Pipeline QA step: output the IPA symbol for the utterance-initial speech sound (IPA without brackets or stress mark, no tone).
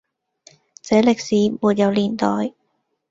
t͡s